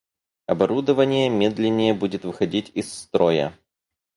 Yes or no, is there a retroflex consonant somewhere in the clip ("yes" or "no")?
no